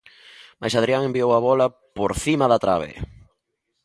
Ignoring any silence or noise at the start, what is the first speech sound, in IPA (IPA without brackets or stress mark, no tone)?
m